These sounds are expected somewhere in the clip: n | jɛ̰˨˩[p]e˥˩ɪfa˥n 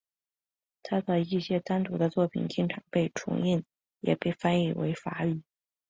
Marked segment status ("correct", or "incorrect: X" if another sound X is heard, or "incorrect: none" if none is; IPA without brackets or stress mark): correct